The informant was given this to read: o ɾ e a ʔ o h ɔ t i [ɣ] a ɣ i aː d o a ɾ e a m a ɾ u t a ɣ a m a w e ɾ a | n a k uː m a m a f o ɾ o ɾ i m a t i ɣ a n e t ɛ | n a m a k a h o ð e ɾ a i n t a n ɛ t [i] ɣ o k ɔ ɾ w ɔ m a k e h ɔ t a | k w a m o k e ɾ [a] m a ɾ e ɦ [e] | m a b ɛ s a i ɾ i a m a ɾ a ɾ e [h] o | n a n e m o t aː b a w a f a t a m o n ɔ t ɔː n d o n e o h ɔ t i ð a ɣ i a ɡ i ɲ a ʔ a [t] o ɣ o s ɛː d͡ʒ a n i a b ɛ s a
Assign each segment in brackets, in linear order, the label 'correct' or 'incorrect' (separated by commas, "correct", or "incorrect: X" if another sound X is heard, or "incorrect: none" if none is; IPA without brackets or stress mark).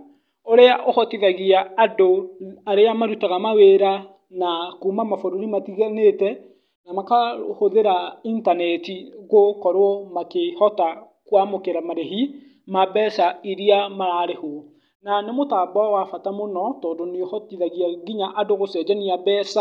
incorrect: ð, correct, correct, incorrect: i, correct, incorrect: d